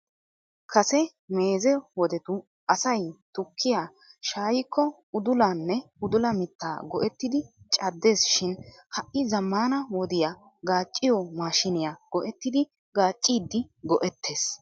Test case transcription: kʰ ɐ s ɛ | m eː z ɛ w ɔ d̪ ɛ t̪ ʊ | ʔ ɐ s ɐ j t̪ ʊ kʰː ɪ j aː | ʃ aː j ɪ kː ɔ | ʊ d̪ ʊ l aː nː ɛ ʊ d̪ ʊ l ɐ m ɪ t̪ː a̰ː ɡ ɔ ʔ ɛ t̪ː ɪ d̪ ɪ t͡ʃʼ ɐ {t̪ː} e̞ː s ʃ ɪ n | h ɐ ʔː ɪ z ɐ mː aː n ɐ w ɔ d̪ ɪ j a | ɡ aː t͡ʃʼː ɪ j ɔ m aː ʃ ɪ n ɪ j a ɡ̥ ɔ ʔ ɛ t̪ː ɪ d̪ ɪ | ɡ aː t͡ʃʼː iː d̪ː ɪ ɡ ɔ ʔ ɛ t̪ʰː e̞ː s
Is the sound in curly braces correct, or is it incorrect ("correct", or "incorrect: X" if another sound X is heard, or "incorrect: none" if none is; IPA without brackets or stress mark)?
incorrect: d̪ː